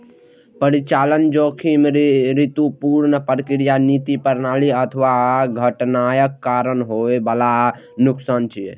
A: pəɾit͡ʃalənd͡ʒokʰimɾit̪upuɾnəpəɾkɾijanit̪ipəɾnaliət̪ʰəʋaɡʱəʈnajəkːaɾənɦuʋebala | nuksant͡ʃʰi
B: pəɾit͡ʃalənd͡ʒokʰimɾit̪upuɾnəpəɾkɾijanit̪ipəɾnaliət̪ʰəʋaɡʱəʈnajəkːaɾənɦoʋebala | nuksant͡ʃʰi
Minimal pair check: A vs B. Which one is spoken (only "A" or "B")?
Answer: B